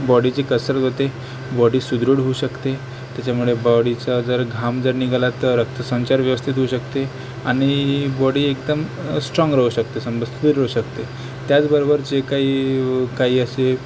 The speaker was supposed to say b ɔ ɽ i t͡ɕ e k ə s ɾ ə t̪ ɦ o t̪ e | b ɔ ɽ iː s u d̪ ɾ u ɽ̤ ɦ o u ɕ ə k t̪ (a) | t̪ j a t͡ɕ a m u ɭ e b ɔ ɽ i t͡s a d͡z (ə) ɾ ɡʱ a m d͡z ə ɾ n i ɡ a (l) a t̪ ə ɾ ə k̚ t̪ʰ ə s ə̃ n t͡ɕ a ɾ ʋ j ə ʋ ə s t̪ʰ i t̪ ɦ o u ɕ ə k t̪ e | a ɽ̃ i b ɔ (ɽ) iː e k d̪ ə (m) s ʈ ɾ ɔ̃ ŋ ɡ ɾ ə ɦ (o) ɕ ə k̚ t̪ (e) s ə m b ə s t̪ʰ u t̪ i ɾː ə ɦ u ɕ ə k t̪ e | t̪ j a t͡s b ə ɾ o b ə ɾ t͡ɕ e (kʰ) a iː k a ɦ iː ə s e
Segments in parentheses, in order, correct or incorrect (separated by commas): incorrect, correct, correct, correct, correct, incorrect, correct, incorrect